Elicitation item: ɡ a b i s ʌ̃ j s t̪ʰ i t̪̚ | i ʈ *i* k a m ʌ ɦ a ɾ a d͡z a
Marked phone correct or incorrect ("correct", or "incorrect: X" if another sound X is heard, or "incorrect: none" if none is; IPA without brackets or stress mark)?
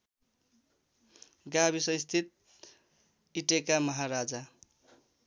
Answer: incorrect: e